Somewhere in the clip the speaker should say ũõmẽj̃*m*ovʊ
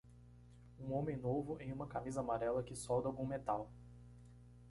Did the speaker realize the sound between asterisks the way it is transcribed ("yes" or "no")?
no